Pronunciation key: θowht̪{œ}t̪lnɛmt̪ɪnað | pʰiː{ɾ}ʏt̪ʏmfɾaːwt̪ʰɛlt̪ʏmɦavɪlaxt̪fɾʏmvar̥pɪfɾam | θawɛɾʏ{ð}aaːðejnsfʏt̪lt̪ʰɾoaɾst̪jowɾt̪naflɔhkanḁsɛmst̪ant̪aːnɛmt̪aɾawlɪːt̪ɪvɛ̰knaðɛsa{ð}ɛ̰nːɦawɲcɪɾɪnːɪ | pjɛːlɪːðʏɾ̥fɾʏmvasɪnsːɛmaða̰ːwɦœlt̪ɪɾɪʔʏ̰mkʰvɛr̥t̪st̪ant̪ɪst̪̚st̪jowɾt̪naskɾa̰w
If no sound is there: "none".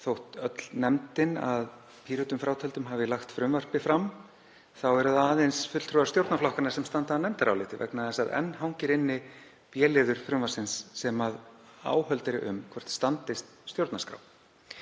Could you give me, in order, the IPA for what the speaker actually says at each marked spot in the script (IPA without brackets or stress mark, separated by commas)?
œ, ɾ, ð, ð